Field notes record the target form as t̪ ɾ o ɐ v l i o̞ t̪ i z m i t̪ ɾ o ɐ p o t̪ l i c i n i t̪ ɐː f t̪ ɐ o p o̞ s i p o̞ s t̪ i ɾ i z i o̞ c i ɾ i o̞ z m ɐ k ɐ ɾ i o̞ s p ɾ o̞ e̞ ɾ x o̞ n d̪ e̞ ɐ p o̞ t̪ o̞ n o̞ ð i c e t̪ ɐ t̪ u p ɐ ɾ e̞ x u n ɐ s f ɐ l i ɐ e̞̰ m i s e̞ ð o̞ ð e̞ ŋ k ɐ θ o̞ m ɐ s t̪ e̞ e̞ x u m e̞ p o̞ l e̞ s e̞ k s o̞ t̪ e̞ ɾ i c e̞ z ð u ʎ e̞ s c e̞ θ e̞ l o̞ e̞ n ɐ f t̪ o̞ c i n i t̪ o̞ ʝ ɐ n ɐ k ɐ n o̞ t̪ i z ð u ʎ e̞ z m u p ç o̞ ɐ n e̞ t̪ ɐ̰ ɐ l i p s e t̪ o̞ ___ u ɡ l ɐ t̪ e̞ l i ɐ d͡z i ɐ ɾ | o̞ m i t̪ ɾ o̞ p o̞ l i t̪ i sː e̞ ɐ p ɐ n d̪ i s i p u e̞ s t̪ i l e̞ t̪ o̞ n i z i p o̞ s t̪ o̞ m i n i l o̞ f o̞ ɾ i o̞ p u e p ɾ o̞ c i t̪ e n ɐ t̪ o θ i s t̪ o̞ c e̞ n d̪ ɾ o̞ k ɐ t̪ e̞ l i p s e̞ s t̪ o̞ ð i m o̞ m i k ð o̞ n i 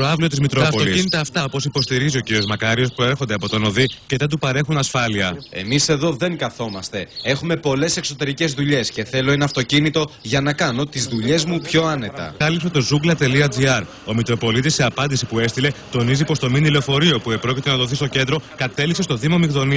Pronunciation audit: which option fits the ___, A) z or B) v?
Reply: A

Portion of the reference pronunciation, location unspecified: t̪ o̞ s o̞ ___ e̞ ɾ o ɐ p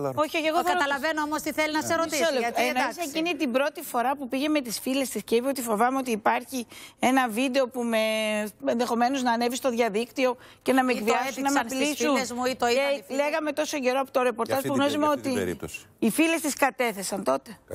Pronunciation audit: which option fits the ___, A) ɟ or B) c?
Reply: A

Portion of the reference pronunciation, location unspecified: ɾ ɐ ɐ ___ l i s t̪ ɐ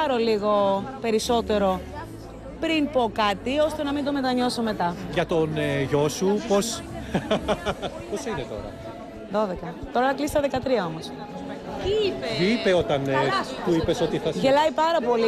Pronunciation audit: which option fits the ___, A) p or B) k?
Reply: B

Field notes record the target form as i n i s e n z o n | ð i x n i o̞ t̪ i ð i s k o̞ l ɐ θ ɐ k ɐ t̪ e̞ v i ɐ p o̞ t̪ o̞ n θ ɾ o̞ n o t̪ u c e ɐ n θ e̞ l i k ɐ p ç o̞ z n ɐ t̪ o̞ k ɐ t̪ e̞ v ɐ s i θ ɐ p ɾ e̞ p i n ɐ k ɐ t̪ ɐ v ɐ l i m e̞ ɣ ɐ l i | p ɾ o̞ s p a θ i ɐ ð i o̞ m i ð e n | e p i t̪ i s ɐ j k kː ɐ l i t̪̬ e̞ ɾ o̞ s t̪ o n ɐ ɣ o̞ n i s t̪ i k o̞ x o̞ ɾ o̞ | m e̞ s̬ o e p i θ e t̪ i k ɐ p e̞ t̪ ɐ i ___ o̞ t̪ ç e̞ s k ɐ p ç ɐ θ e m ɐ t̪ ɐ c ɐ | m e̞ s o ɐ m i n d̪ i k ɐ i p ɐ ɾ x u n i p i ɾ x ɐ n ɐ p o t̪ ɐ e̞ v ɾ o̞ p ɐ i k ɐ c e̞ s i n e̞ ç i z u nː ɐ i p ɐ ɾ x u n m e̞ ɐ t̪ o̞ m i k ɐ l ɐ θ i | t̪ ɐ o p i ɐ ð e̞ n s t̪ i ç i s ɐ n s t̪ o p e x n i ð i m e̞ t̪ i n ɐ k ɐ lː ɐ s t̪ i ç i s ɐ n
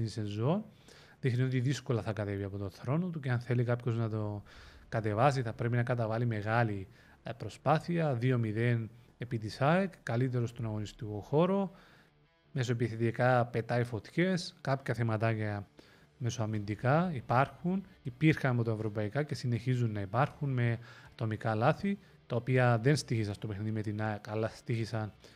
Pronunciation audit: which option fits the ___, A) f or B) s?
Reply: A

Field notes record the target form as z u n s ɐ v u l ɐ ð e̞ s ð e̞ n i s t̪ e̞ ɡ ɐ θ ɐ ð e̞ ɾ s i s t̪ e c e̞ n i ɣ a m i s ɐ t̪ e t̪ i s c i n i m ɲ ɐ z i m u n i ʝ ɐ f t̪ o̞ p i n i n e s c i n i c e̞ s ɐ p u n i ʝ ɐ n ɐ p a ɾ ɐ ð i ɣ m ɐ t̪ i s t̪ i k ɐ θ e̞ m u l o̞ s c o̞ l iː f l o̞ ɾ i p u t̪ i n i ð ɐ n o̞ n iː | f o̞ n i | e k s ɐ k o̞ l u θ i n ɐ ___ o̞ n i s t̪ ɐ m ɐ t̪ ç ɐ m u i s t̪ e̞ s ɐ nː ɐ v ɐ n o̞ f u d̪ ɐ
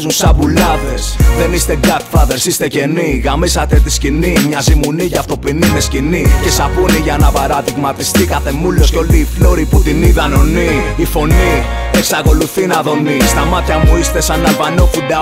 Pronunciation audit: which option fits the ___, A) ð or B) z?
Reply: A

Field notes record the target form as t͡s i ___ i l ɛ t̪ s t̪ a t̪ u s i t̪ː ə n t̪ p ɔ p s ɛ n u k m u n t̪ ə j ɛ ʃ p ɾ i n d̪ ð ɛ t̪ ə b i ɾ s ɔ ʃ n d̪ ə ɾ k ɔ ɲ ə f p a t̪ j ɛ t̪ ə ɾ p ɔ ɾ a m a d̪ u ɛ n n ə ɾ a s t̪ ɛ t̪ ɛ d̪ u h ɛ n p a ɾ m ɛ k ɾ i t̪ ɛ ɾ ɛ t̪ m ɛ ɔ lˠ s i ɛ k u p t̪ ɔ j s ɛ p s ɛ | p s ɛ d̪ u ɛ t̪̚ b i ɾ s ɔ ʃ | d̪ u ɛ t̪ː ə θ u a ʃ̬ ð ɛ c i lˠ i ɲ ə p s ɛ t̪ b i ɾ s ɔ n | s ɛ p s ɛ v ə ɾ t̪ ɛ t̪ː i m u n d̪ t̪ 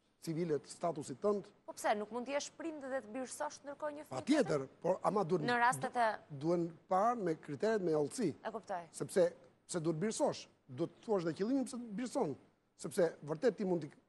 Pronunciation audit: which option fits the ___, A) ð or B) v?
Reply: B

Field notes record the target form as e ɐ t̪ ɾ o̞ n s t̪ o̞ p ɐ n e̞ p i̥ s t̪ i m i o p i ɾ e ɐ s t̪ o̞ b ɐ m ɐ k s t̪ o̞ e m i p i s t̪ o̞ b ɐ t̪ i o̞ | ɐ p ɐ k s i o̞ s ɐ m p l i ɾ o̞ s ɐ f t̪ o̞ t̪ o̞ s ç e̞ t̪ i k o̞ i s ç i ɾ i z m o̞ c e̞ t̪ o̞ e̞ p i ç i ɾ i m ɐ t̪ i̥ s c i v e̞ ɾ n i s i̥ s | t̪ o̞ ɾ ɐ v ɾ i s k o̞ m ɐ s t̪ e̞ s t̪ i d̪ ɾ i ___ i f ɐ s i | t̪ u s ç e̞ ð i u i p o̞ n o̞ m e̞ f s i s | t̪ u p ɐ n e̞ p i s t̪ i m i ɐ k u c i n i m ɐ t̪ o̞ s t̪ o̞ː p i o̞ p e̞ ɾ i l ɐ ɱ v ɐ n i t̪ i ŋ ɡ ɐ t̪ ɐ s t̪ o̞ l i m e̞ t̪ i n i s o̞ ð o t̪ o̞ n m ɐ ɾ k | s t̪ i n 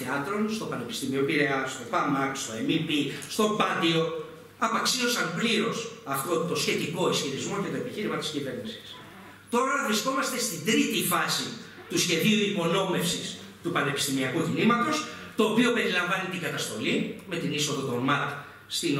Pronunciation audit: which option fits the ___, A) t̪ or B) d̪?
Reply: A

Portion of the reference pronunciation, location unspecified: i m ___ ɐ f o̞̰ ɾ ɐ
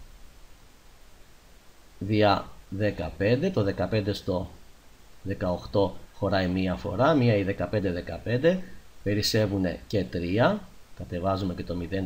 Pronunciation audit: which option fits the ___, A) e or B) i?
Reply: B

